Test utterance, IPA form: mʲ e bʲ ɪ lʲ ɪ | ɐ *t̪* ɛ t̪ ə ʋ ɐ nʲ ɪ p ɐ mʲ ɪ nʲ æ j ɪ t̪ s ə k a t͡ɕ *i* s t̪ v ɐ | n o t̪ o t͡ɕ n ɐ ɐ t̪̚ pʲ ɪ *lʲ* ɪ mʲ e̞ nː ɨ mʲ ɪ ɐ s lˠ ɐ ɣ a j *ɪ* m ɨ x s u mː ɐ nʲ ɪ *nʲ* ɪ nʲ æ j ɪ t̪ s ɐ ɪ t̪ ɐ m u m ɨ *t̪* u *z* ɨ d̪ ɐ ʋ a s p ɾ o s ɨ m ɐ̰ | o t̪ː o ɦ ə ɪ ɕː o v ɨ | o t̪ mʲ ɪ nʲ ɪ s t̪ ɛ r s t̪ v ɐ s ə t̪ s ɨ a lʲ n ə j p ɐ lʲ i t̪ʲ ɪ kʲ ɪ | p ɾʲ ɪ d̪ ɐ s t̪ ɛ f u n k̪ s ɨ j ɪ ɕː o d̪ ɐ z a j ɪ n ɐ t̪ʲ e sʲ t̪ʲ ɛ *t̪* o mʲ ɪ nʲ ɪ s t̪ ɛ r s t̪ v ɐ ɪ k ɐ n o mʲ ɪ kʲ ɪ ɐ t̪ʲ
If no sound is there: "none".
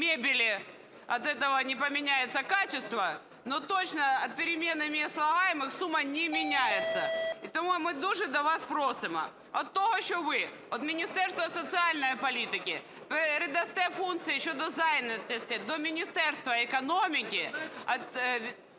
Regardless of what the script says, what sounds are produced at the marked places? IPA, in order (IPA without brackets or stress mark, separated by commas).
t̪, ɪ, ɾʲ, ɪ, mʲ, d̪, ʐ, d̪